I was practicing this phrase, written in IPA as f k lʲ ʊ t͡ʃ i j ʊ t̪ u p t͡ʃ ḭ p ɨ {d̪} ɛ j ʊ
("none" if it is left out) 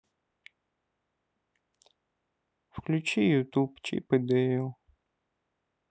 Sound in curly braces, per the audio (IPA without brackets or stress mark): d̪